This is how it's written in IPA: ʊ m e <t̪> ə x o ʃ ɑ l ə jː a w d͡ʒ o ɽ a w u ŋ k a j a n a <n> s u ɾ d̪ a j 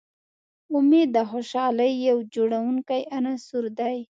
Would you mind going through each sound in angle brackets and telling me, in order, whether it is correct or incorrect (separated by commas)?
incorrect, incorrect